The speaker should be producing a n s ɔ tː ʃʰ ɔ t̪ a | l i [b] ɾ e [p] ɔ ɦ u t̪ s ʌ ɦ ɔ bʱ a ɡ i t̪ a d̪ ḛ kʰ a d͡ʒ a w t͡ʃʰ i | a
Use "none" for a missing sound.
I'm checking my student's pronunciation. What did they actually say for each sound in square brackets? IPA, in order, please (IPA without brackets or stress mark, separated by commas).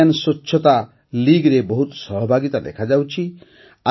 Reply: ɡ, b